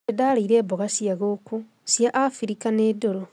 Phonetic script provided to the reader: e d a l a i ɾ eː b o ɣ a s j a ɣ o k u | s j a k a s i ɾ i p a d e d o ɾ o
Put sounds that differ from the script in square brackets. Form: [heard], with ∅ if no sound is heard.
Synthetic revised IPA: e d a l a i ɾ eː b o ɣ a s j a ɣ o k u | s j a [ʔ] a [f] i ɾ i [k] a [n] e d o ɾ o